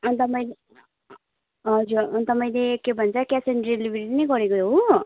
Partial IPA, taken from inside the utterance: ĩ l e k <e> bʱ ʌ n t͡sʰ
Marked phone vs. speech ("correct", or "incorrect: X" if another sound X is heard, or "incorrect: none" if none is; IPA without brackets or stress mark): correct